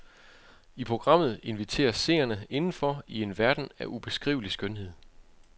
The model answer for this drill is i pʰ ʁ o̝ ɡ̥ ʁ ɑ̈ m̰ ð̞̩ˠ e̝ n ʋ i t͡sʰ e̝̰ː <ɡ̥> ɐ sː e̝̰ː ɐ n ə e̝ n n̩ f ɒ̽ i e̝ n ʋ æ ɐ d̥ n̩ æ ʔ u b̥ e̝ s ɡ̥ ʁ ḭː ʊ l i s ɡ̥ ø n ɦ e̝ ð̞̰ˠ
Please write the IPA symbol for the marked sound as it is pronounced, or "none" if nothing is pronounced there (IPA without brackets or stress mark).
none